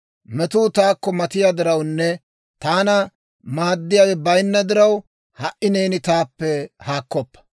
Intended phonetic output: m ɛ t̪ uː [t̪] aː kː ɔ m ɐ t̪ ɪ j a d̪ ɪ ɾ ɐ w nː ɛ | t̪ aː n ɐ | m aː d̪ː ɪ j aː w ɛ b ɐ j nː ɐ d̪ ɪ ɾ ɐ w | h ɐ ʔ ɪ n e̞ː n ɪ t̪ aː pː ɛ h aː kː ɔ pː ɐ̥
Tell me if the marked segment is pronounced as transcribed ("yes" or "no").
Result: yes